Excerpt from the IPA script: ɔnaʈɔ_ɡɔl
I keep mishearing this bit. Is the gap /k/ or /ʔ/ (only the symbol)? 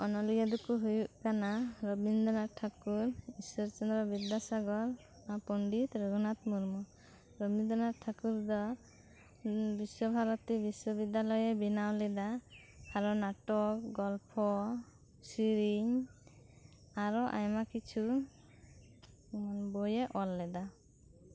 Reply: k